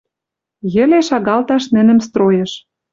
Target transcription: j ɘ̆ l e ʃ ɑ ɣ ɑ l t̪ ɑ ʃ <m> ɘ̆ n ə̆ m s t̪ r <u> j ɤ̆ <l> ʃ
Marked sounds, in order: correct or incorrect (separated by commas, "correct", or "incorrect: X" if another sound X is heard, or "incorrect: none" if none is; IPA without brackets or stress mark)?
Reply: incorrect: n, incorrect: o, incorrect: none